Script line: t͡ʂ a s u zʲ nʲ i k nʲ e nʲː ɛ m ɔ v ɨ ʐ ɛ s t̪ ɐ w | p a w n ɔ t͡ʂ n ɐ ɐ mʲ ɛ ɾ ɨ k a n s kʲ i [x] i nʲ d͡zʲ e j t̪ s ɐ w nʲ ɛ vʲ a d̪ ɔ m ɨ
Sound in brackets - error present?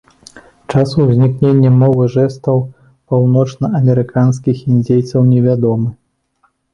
no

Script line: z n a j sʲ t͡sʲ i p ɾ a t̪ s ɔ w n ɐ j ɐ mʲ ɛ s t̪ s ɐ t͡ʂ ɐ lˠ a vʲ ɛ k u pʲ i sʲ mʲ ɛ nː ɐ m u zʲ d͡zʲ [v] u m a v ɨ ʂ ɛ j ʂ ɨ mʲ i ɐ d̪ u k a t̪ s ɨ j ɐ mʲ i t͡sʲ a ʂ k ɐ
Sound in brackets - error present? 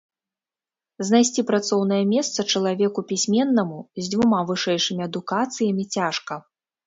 no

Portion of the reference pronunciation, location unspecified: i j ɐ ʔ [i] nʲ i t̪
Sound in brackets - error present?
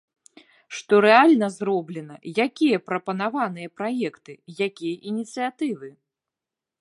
no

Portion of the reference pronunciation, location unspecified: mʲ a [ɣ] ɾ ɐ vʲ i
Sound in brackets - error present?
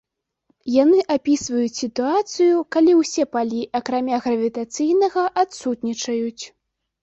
no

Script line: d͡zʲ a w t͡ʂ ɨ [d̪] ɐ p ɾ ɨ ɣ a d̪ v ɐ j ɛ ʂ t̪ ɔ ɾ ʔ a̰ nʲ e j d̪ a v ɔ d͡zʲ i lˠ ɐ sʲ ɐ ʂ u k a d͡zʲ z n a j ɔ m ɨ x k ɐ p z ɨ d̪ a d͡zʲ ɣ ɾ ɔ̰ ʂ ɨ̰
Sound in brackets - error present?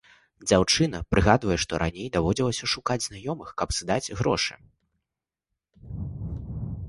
yes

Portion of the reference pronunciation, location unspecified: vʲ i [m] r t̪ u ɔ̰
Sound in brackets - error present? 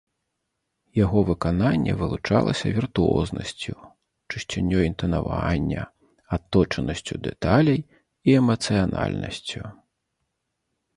yes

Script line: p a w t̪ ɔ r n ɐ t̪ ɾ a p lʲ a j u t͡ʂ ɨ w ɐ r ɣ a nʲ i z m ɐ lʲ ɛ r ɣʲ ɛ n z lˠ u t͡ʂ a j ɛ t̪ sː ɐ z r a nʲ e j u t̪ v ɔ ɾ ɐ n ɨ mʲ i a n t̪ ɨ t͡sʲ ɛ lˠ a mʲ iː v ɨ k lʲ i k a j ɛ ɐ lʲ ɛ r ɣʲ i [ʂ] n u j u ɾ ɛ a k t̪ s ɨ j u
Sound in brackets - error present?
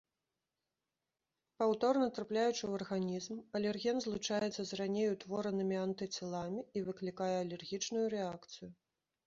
yes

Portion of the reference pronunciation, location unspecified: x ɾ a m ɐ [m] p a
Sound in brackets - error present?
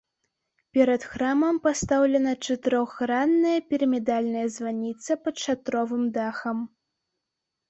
no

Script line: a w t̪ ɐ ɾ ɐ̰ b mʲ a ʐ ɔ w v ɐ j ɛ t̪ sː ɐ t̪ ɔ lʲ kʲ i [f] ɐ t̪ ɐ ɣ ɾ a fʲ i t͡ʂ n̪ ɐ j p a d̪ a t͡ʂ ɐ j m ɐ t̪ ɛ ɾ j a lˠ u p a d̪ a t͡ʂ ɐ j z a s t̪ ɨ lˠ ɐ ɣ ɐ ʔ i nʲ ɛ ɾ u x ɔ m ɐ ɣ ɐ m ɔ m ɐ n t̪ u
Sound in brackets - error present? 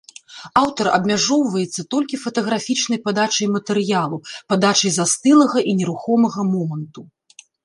no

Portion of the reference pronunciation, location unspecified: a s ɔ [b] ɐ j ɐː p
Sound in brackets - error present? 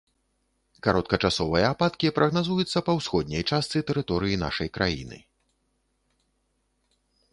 yes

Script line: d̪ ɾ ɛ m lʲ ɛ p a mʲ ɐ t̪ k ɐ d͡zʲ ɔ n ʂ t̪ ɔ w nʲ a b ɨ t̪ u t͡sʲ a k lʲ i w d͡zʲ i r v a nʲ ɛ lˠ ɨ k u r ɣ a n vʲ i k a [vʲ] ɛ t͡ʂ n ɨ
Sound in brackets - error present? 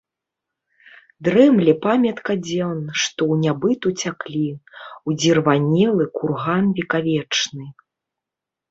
no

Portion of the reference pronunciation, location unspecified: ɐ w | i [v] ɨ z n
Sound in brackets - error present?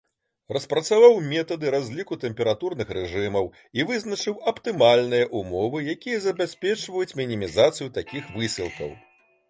no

